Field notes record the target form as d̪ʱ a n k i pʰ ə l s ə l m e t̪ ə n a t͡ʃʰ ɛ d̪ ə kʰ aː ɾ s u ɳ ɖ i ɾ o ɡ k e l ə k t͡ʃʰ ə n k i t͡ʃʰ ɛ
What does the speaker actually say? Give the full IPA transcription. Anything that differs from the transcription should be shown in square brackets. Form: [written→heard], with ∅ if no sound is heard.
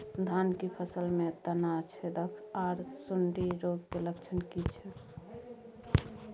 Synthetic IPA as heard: d̪ʱ a n k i pʰ ə [l→∅] s ə l m e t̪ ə n a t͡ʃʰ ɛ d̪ ə kʰ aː ɾ s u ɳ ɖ i ɾ o ɡ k e l ə k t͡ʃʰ ə n k i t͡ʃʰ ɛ